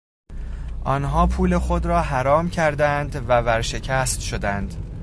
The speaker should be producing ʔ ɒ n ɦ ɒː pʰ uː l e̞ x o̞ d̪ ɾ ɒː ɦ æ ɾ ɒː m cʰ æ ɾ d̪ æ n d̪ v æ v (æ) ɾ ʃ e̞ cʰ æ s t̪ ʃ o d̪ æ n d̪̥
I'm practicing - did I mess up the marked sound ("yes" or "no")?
no